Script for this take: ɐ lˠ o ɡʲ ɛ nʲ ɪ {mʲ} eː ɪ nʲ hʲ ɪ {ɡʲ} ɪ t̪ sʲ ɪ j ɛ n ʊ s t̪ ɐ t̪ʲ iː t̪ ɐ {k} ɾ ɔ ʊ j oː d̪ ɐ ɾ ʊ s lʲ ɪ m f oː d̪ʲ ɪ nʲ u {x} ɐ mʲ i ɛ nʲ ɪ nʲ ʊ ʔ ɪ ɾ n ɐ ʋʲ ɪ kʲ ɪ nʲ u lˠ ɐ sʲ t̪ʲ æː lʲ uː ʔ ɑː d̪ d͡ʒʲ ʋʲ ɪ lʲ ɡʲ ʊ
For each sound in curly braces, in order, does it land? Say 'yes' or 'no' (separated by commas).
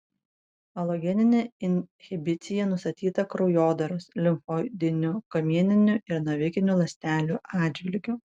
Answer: no, no, yes, no